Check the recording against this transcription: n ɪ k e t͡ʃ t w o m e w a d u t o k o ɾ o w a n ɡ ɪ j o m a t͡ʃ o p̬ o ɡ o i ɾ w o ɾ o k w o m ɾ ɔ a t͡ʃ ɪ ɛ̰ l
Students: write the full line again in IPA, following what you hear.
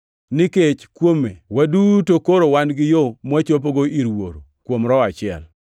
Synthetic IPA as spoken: n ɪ k e t͡ʃ k w o m e w a d u t o k o ɾ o w a n ɡ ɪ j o m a t͡ʃ o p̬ o ɡ o i ɾ w o ɾ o k w o m ɾ ɔ a t͡ʃ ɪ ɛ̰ l